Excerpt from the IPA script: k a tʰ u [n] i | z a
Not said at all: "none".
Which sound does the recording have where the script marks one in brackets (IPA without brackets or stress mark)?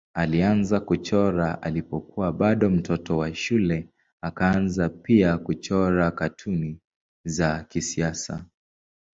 n